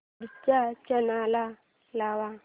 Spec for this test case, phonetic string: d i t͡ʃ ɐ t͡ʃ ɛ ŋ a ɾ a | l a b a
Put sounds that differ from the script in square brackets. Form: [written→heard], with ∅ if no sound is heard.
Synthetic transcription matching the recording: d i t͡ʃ [ɐ→a] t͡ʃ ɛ [ŋ→n] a [ɾ→l] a | l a [b→w] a